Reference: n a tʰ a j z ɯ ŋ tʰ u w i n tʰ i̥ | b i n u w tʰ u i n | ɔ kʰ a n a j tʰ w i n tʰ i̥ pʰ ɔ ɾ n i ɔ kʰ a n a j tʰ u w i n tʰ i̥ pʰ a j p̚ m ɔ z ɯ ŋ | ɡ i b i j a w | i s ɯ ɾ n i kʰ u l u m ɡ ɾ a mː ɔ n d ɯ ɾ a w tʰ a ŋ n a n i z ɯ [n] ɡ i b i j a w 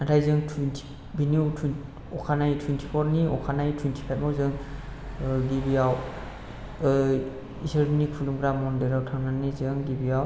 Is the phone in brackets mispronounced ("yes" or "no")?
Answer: yes